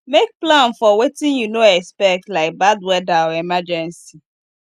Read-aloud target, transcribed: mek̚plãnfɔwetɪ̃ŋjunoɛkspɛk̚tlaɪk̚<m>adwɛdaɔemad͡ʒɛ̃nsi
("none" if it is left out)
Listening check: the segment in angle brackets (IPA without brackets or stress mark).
b